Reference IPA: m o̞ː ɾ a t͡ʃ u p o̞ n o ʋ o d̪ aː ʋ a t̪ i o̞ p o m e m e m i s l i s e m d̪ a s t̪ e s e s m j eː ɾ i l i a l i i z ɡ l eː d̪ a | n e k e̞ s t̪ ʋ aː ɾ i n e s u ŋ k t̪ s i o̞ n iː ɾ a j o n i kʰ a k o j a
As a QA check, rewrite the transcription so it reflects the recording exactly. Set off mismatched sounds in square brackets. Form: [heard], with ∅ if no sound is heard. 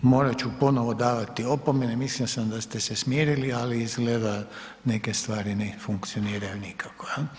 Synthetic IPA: m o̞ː ɾ a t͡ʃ u p o̞ n o ʋ o d̪ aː ʋ a t̪ i o̞ p o m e [n] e m i s l i s [a] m d̪ a s t̪ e s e s m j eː ɾ i l i a l i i z ɡ l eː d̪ a | n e k e̞ s t̪ ʋ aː ɾ i n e [f] u ŋ k t̪ s i o̞ n iː ɾ a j [u] n i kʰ a k o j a